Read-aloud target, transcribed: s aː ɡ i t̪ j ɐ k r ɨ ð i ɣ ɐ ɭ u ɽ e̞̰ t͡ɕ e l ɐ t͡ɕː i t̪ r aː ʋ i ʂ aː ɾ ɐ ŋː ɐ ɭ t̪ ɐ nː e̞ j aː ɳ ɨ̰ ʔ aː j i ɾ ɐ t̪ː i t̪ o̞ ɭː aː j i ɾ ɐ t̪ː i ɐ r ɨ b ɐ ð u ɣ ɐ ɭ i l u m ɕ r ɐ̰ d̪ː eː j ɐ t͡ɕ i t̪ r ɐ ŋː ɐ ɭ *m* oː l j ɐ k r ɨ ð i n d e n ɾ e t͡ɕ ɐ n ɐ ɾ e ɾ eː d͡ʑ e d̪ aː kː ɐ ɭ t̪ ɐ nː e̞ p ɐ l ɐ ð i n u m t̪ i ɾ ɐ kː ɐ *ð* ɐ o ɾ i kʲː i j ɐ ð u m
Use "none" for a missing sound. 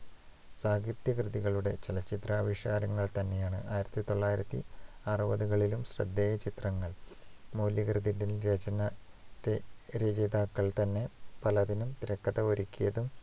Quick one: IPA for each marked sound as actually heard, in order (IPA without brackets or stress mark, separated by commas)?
m, ð